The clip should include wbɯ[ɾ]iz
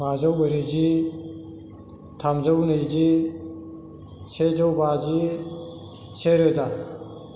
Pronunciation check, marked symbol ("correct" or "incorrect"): correct